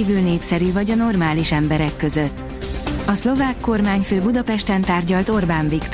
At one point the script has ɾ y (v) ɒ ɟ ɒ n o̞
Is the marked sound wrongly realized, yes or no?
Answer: no